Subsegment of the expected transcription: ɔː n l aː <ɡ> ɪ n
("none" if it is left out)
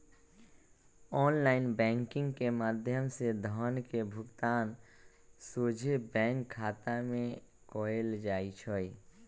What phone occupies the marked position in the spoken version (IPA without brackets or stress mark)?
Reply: none